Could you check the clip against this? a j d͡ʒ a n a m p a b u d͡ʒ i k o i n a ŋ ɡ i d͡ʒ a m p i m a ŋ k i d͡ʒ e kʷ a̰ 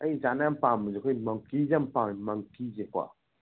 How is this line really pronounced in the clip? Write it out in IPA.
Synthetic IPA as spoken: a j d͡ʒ a n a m p a m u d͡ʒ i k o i m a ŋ k i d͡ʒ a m p a m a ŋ k i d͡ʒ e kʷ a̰

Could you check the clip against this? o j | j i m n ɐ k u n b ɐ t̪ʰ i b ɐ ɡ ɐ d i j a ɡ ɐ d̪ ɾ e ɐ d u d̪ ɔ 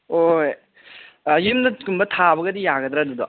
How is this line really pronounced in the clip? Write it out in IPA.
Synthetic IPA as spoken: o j | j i m n ɐ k u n b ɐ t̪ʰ a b ɐ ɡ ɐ d i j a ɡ ɐ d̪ ɾ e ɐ d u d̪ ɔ

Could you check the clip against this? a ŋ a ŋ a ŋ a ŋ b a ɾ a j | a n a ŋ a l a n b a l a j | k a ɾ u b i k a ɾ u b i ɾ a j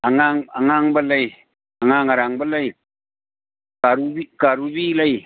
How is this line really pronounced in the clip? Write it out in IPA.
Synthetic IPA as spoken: a ŋ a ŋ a ŋ a ŋ b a l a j | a ŋ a ŋ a ɾ a ŋ b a l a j | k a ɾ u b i k a ɾ u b i l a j

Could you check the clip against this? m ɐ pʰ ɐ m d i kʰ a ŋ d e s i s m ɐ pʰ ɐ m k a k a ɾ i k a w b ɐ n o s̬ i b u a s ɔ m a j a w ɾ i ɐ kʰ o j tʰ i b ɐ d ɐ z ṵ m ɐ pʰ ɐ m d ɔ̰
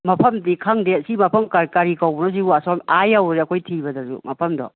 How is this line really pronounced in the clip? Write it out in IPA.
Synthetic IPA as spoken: m ɐ pʰ ɐ m d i kʰ a ŋ d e s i m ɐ pʰ ɐ m k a k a ɾ i k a w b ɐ n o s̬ i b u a s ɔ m a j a w ɾ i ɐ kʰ o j tʰ i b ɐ d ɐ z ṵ m ɐ pʰ ɐ m d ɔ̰

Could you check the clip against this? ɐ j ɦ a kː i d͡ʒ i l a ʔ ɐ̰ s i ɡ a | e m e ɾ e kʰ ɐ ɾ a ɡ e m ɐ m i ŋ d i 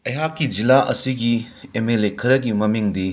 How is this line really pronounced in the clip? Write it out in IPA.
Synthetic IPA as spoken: ɐ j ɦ a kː i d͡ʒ i l a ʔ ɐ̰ s i ɡ i | e m e l e kʰ ɐ ɾ ɐ ɡ i m ɐ m i ŋ d i

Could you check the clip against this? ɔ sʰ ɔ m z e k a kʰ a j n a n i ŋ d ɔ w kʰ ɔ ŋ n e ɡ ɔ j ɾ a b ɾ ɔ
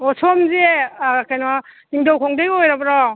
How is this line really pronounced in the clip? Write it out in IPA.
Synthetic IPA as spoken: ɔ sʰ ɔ m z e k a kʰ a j n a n i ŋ d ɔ w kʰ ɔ ŋ d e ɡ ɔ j ɾ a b ɾ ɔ

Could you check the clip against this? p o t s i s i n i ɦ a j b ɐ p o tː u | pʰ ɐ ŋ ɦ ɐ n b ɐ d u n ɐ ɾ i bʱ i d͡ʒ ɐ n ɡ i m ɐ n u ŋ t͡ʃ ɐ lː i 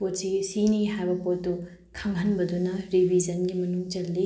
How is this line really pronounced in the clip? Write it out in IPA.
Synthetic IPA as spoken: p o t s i s i n i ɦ a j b ɐ p o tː u | kʰ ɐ ŋ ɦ ɐ n b ɐ d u n ɐ ɾ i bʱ i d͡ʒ ɐ n ɡ i m ɐ n u ŋ t͡ʃ ɐ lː i

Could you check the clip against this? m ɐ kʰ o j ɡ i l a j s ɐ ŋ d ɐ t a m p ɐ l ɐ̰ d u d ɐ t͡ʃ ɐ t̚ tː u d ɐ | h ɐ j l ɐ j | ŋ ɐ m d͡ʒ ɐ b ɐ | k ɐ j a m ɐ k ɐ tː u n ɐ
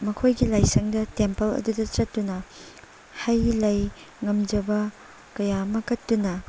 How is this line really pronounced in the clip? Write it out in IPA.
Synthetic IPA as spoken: m ɐ kʰ o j ɡ i l a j s ɐ ŋ d ɐ t e m p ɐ l ɐ̰ d u d ɐ t͡ʃ ɐ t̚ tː u n ɐ | h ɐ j l ɐ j | ŋ ɐ m d͡ʒ ɐ b ɐ | k ɐ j a m ɐ k ɐ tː u n ɐ

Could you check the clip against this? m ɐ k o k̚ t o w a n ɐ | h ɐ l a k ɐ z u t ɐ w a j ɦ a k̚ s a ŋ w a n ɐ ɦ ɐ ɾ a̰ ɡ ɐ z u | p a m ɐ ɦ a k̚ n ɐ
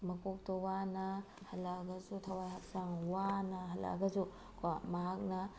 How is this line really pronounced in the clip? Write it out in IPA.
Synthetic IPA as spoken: m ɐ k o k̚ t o w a n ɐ | h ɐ l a ɡ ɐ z u tʰ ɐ w a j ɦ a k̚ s a ŋ w a n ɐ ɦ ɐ l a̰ ɡ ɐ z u | k a m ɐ ɦ a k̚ n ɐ

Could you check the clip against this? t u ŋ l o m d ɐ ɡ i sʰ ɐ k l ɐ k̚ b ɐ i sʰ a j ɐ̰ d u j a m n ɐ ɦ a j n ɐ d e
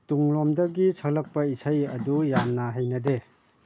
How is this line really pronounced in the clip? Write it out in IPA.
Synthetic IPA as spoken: t u ŋ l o m d ɐ ɡ i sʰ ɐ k l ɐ k̚ p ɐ i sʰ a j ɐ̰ d u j a m n ɐ ɦ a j n ɐ d e

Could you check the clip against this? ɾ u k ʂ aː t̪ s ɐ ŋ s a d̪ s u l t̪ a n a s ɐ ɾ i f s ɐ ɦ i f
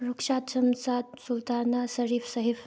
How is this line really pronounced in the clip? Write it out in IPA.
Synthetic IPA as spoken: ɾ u k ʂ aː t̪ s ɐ m s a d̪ s u l t̪ a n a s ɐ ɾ i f s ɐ ɦ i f

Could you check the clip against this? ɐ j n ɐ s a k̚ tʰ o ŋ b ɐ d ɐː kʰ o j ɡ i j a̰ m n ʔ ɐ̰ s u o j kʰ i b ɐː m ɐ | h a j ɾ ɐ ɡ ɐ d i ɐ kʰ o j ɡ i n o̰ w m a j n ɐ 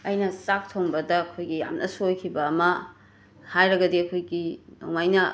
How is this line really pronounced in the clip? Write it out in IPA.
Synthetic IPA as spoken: ɐ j n ɐ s a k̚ tʰ o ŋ b ɐ d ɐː kʰ o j ɡ i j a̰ m n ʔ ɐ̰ s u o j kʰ i b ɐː m ɐ | h a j ɾ ɐ ɡ ɐ d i ɐ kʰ o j ɡ i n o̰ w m a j n ɐ

